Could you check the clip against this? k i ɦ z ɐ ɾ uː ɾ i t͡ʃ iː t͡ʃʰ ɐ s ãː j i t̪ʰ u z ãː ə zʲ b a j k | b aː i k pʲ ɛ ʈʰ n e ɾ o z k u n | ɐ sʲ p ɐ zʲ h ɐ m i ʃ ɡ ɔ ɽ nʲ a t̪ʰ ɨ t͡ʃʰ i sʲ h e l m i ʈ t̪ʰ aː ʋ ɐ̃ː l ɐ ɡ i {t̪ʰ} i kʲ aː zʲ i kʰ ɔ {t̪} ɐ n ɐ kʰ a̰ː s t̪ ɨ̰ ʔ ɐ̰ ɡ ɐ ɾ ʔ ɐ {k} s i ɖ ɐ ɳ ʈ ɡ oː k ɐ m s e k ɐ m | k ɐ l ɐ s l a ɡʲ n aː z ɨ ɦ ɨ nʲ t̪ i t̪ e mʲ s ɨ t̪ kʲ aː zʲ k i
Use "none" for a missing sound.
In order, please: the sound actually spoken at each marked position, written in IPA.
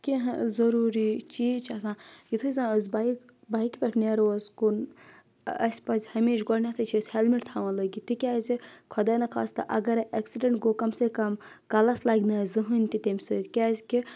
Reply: t̪, d̪, k

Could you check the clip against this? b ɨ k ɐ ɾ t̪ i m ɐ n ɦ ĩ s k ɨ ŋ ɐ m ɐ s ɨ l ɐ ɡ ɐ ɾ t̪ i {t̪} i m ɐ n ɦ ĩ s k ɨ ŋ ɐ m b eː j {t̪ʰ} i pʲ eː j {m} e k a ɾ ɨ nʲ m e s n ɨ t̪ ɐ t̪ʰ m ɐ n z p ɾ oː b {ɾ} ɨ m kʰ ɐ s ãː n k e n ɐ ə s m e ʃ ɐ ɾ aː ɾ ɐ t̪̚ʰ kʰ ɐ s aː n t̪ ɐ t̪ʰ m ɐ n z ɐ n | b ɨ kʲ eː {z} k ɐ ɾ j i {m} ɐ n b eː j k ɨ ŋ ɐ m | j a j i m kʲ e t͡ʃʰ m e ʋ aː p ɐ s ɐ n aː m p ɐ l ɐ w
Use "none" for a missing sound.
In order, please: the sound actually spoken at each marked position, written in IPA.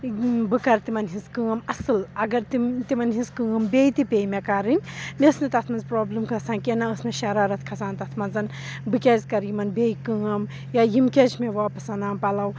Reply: t̪, t̪, m, l, z, m

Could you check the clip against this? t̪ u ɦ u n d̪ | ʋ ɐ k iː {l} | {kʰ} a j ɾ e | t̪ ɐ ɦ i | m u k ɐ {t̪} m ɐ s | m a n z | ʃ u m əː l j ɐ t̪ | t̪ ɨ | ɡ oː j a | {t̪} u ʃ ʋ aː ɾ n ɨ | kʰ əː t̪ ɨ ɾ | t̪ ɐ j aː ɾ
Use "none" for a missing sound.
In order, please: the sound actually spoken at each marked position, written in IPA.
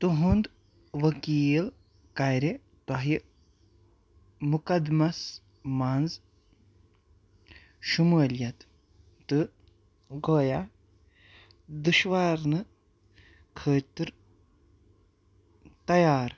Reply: l, k, d̪, d̪

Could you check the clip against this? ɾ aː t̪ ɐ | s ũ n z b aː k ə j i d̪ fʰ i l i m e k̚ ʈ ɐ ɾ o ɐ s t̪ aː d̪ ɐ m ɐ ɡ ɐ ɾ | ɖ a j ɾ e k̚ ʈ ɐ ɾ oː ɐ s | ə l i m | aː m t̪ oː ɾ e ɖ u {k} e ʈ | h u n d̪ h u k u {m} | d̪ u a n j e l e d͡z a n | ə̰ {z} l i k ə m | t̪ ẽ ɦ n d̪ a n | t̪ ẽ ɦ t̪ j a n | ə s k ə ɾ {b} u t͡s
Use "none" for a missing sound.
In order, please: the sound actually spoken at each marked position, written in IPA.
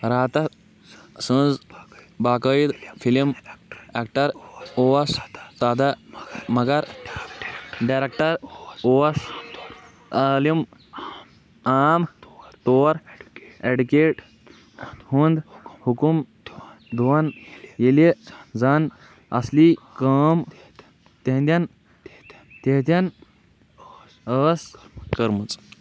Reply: k, m, s, m

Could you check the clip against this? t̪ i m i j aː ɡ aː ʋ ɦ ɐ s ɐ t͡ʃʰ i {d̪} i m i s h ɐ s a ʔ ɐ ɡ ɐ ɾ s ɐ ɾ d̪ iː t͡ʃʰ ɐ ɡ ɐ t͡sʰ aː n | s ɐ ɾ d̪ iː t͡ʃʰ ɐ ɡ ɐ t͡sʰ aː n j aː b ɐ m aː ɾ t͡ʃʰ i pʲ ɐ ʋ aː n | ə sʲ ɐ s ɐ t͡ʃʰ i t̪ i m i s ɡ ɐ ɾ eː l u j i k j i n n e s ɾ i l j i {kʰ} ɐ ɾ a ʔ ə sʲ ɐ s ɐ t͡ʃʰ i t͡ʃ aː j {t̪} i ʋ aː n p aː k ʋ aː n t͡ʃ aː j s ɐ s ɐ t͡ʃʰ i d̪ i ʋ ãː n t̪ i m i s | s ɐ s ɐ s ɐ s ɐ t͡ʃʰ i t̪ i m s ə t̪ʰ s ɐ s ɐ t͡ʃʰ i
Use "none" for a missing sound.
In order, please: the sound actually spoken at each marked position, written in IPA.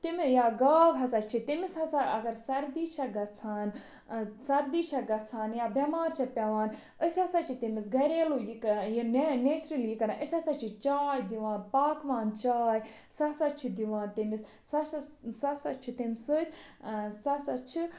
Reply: t̪, k, d̪

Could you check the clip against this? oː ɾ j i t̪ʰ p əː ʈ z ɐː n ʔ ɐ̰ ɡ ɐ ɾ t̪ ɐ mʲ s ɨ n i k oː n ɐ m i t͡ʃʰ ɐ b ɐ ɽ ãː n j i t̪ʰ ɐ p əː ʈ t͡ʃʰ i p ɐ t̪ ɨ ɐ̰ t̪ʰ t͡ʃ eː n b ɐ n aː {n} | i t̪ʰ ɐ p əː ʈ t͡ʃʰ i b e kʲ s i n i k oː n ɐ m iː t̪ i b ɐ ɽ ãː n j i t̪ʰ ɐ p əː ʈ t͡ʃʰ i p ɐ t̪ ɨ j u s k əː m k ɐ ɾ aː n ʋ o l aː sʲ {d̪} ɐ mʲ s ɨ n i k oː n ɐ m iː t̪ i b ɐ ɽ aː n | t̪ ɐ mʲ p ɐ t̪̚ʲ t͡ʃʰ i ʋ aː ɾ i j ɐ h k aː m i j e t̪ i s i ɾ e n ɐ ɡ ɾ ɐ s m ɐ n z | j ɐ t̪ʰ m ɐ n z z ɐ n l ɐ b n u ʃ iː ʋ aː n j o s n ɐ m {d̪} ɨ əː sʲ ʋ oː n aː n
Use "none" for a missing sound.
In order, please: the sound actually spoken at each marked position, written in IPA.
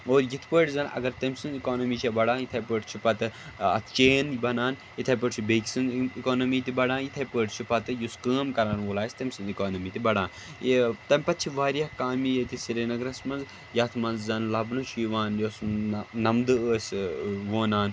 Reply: n, t̪, d̪

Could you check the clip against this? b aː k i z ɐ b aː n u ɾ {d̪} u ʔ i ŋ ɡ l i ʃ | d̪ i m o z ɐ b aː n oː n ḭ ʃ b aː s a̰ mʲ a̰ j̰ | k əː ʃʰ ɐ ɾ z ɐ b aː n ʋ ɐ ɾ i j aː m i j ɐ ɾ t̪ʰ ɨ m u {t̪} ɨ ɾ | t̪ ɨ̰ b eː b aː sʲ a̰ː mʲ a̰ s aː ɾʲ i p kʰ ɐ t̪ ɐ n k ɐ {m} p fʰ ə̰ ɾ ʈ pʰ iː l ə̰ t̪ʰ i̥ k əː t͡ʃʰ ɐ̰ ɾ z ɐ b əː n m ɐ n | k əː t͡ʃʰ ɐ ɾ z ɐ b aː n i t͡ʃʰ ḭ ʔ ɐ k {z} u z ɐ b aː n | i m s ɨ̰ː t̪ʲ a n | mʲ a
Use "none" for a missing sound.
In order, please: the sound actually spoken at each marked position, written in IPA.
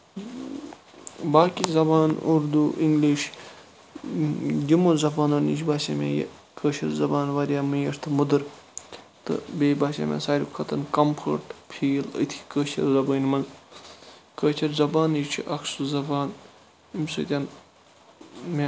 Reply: d̪, d̪, m, s

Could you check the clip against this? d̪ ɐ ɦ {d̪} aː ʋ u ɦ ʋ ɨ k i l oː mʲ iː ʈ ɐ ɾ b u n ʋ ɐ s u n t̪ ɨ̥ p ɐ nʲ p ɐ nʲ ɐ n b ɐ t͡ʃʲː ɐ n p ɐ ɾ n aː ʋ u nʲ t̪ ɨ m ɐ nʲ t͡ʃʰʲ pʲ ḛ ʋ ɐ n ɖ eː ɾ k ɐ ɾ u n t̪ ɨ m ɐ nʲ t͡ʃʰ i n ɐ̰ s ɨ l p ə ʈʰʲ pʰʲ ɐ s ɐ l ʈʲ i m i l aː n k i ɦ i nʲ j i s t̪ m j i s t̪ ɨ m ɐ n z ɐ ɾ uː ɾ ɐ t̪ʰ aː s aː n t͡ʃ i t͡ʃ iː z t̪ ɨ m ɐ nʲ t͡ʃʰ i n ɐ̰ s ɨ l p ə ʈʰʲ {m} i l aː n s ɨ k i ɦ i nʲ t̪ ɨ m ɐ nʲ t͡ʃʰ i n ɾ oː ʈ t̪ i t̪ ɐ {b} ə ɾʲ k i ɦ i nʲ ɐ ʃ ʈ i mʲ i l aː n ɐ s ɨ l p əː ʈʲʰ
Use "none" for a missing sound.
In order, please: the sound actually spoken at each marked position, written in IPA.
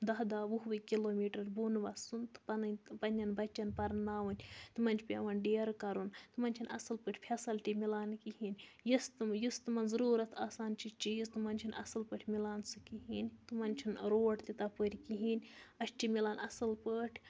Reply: d̪, m, p

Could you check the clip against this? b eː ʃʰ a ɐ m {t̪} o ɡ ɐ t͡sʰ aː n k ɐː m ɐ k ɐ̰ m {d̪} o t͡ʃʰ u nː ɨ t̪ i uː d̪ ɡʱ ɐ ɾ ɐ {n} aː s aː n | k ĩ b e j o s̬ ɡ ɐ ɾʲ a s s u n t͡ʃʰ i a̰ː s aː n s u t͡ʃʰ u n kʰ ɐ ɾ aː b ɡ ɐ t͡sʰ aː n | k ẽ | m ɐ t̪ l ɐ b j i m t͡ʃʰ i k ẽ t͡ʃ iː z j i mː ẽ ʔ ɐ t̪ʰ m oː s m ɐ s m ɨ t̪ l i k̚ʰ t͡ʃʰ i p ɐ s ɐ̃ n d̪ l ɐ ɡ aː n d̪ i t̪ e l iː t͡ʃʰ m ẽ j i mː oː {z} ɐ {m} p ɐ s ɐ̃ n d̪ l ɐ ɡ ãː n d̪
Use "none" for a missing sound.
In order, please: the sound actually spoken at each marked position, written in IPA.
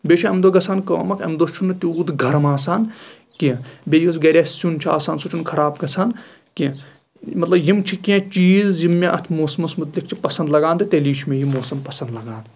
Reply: d̪, d̪, m, s, m

